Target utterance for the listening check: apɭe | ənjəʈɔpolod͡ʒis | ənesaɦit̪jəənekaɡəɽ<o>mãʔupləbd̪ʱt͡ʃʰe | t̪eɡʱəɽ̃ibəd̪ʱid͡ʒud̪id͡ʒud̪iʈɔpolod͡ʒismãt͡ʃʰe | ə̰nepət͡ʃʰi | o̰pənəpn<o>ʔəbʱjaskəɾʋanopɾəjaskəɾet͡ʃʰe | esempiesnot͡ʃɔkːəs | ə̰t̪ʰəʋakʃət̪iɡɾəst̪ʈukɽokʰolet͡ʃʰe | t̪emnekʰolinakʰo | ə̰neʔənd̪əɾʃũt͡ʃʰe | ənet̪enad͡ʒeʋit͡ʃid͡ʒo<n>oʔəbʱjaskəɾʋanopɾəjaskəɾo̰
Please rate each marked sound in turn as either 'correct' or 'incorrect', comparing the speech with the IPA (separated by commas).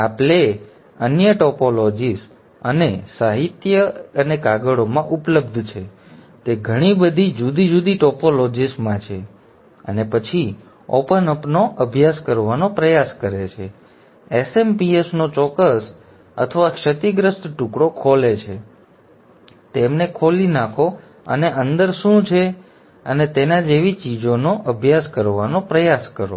correct, correct, correct